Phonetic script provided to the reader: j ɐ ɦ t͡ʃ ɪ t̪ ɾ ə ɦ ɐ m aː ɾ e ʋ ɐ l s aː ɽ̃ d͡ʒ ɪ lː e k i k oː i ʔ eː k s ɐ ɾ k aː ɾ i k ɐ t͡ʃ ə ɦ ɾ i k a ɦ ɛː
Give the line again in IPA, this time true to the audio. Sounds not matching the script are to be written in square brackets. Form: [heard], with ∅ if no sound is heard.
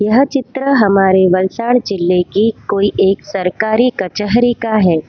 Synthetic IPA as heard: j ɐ ɦ t͡ʃ ɪ t̪ ɾ ə ɦ ɐ m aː ɾ e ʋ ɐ l s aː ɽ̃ d͡ʒ ɪ lː e k i k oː i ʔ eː k s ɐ ɾ k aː ɾ i k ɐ t͡ʃ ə ɦ ɾ i k a ɦ ɛː